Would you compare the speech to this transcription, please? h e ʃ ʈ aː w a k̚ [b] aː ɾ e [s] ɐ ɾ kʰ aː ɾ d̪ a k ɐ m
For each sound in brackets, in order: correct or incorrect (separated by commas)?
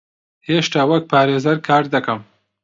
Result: incorrect, incorrect